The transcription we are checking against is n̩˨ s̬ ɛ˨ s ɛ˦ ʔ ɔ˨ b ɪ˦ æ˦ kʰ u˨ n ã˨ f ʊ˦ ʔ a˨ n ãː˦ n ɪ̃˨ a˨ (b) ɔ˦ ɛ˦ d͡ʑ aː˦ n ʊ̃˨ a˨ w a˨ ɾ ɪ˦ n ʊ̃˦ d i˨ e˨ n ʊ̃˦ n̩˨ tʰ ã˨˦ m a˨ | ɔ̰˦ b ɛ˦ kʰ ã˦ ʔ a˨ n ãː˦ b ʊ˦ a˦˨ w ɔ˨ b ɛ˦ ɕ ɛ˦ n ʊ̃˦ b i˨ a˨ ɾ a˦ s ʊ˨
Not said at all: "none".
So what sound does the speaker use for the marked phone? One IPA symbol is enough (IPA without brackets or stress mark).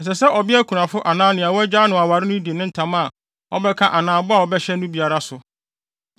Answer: w